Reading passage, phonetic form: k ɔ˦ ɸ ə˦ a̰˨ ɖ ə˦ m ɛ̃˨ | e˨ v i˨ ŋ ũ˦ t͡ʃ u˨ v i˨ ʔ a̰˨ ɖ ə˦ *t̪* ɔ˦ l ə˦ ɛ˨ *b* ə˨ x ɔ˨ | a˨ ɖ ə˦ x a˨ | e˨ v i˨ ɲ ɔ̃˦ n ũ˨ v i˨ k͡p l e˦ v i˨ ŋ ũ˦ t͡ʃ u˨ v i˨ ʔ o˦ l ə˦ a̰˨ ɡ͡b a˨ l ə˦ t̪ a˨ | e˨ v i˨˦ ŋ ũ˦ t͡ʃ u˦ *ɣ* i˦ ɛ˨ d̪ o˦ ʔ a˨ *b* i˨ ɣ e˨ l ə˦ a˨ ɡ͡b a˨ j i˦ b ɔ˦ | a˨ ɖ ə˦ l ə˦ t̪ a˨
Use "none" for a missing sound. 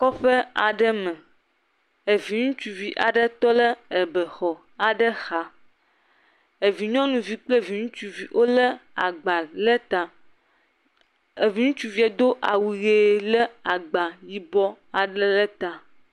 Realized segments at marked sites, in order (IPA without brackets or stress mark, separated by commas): t̪, b, v, w